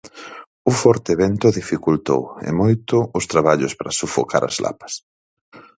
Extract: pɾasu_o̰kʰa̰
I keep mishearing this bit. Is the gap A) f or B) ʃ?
A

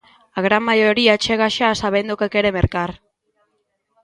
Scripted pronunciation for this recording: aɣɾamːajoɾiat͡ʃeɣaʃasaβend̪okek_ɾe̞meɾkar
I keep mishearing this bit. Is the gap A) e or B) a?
A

